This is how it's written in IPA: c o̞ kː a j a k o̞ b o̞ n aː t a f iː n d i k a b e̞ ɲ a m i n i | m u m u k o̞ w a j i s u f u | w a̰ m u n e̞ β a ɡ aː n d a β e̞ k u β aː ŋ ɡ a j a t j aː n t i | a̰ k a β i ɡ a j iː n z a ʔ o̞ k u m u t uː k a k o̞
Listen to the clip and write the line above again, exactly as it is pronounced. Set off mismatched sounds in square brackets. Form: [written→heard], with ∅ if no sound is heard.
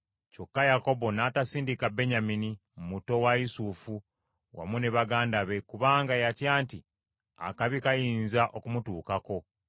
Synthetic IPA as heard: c o̞ kː a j a k o̞ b o̞ n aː t a [f→s] iː n d i k a b e̞ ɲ a m i n i | m u m u [k→t] o̞ w a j i s u f u | w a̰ m u n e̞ β a ɡ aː n d a β e̞ k u β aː ŋ ɡ a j a t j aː n t i | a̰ k a β i [ɡ→k] a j iː n z a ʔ o̞ k u m u t uː k a k o̞